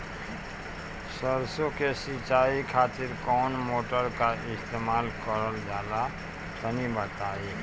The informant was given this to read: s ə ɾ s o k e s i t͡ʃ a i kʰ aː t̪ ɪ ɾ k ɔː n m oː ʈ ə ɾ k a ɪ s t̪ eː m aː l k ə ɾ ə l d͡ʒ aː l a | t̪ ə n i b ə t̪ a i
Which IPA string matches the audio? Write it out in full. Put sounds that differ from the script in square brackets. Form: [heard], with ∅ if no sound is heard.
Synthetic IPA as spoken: s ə ɾ s o k e s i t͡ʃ a i kʰ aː t̪ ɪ ɾ k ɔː n m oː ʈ ə ɾ k a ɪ s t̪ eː m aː l k ə ɾ ə l d͡ʒ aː l a | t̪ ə n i b ə t̪ a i